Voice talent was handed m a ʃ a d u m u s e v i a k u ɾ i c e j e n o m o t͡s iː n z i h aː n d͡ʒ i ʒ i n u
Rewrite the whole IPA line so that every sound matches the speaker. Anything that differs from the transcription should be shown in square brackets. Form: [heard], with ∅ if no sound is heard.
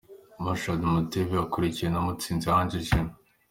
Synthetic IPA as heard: m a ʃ a d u m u [t] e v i a k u ɾ i c [i] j e n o m [u] t͡s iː n z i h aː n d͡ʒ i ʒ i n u